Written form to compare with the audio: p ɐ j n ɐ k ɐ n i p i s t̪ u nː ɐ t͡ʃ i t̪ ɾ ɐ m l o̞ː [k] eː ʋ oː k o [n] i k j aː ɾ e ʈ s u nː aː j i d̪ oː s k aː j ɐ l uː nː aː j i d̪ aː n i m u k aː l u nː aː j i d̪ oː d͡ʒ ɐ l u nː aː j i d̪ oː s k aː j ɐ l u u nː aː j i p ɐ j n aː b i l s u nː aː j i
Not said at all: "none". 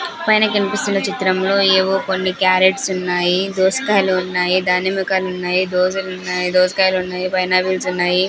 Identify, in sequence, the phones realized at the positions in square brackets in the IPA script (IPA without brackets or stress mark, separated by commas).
none, nː